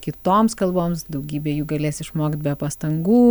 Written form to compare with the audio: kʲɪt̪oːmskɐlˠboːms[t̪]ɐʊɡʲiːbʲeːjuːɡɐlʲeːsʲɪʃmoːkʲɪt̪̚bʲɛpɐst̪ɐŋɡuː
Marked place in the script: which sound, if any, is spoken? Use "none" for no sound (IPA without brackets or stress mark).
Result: d̪